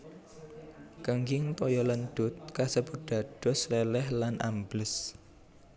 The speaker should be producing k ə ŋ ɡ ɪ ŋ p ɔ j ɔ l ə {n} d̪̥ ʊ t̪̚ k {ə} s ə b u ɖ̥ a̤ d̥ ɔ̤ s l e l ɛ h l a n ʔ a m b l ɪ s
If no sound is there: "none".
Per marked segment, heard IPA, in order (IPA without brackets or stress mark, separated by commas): n, a